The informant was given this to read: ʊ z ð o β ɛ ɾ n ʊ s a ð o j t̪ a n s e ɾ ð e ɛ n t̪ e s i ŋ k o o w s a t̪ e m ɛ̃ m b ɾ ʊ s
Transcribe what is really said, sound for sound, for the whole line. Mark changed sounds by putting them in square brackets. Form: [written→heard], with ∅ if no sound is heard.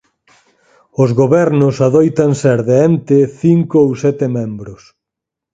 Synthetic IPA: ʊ z [ð→ɣ] o β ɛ ɾ n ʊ s a ð o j t̪ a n s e ɾ ð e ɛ n t̪ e [s→θ] i ŋ k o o w s [a→ɛ] t̪ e m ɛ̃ m b ɾ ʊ s